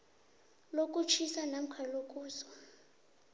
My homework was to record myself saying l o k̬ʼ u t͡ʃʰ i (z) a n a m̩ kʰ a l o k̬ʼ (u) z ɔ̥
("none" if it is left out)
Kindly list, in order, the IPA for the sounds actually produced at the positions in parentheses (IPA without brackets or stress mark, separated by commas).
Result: s, uː